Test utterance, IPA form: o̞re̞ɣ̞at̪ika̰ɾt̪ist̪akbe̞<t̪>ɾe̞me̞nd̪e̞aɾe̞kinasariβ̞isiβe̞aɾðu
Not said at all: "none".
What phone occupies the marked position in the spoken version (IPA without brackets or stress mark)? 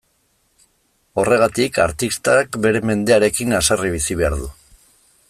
none